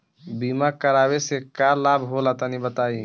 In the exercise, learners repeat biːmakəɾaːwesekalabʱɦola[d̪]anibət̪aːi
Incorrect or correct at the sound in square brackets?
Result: incorrect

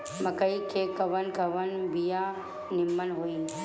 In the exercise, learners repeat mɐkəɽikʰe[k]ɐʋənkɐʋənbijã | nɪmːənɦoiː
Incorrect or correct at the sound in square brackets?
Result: correct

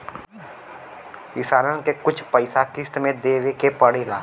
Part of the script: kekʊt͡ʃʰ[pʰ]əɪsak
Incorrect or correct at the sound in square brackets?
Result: incorrect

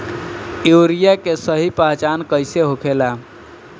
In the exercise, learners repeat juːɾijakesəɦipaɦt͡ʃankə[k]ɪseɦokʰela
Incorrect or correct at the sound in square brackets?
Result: incorrect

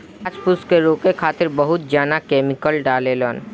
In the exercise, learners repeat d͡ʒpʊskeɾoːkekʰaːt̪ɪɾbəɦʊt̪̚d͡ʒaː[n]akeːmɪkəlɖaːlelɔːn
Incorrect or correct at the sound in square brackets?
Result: correct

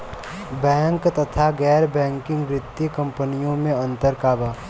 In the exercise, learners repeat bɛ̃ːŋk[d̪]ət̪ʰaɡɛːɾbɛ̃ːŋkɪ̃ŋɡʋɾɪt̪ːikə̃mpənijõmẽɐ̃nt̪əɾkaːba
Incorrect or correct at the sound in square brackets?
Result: incorrect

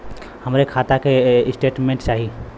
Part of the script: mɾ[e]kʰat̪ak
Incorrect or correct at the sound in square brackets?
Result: correct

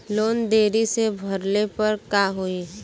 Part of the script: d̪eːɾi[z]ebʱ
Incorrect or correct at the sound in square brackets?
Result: incorrect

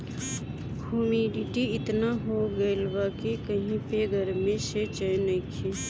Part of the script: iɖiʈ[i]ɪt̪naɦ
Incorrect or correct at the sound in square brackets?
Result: correct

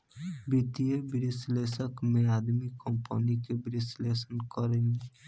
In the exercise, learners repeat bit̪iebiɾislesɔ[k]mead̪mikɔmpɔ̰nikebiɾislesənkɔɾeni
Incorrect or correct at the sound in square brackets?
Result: correct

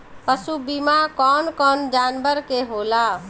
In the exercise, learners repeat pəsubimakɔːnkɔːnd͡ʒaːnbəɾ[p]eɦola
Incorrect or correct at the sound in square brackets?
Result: incorrect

